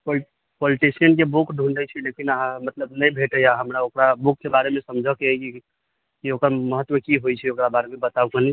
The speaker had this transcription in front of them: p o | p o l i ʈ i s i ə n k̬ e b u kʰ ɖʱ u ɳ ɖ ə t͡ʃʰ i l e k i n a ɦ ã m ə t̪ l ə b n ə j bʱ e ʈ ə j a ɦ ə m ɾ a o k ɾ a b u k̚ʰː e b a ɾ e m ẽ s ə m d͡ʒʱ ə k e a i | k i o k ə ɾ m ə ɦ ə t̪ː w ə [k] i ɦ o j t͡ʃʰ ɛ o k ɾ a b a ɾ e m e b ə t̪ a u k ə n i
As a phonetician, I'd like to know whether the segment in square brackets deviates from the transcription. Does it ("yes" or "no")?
no